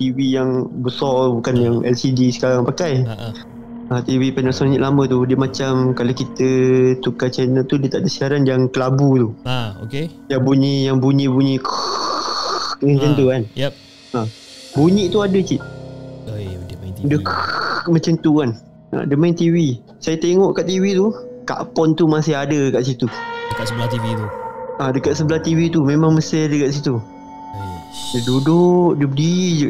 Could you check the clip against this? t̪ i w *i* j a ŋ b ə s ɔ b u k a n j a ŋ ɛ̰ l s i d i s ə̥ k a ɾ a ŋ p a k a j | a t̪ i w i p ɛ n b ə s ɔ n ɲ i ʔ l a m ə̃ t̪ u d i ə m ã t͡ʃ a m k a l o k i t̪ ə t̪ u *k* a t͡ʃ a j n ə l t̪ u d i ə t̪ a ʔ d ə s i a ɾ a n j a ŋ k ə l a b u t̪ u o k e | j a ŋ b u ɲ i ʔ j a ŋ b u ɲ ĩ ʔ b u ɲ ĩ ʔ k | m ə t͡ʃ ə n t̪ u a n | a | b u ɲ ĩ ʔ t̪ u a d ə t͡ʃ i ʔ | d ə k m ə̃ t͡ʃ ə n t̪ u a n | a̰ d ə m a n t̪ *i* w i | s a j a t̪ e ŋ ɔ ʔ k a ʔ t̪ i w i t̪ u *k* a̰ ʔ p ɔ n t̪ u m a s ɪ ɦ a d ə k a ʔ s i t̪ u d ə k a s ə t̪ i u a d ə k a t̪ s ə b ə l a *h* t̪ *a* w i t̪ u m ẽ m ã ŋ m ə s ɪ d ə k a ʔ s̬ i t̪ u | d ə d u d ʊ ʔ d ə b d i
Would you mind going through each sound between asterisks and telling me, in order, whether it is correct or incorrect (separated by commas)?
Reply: correct, correct, correct, correct, correct, incorrect